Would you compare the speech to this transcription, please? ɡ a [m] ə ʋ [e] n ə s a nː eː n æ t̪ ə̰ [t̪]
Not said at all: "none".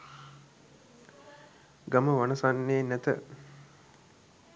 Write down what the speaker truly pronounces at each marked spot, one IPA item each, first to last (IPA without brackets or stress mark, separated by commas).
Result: m, a, none